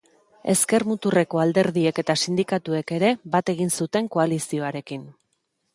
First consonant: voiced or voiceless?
voiceless